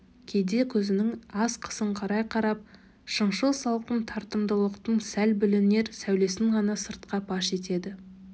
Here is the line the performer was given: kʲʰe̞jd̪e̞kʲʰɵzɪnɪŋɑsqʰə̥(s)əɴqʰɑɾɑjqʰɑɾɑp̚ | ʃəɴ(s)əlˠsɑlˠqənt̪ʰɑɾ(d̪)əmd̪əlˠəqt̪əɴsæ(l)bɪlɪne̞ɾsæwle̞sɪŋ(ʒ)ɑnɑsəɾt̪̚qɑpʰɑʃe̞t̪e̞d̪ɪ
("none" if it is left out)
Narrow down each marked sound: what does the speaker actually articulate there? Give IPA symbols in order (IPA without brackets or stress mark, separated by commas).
s, ʃ, t̪, l, ʁ